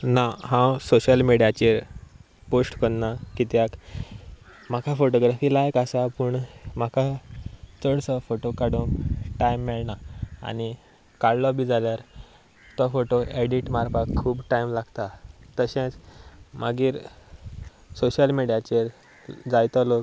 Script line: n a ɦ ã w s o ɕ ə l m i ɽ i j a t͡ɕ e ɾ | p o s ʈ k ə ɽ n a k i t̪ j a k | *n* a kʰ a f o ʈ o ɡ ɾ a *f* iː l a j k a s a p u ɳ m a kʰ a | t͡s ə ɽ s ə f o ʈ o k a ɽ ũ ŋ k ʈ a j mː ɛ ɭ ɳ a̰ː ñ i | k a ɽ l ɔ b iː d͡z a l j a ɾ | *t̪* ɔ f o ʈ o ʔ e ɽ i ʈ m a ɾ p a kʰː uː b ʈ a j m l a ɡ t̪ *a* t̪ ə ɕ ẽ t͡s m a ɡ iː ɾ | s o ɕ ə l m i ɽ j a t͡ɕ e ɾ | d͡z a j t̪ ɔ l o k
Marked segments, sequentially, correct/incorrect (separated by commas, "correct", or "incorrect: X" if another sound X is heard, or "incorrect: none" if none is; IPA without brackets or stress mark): incorrect: m, correct, correct, correct